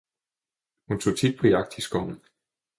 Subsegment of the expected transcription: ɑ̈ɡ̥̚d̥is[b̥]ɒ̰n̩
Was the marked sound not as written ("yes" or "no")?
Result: yes